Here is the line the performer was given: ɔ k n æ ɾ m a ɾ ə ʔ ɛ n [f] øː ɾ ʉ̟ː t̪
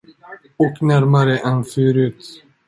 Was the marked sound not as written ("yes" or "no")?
no